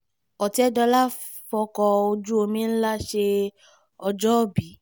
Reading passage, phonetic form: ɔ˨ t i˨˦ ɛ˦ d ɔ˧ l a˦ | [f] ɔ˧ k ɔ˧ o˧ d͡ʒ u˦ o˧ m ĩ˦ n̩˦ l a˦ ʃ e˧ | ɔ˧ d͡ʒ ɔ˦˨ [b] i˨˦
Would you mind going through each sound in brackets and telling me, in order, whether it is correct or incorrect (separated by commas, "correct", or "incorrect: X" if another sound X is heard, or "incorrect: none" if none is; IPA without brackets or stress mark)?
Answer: correct, correct